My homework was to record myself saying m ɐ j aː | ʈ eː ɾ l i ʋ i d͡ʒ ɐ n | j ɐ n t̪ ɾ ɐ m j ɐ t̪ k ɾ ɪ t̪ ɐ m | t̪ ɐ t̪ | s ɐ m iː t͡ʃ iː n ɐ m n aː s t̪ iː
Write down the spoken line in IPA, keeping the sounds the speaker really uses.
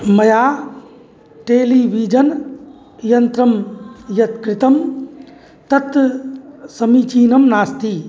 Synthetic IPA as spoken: m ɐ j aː | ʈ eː l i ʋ i d͡ʒ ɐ n | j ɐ n t̪ ɾ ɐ m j ɐ t̪ k ɾ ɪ t̪ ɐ m | t̪ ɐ t̪ | s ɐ m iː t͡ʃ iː n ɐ m n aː s t̪ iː